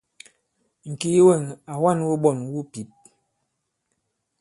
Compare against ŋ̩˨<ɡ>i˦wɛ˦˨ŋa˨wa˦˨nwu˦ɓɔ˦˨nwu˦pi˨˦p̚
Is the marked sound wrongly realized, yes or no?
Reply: yes